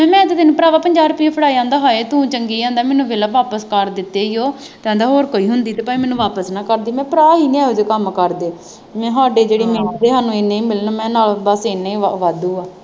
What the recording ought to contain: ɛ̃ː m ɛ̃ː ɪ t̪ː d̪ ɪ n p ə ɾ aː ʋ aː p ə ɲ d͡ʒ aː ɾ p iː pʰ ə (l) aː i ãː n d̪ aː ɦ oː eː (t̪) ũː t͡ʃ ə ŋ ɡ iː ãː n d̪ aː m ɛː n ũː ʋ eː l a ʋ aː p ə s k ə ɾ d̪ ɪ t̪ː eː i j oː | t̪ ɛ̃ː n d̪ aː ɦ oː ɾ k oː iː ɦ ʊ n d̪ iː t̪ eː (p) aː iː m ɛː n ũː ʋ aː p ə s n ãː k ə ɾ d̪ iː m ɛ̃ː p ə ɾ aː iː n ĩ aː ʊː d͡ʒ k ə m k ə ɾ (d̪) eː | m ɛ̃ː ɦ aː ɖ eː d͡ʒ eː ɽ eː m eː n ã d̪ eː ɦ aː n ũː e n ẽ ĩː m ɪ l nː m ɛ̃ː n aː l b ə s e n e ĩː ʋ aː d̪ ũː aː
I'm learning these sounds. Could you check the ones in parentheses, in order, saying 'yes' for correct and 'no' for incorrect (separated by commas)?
no, yes, yes, yes